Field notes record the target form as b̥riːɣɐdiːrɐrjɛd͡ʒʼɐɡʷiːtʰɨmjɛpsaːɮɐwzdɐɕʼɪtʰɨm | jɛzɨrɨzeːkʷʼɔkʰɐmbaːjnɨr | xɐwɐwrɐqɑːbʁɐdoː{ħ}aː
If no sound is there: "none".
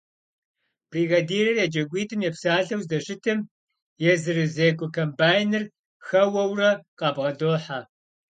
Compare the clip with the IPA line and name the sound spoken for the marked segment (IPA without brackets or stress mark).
ħ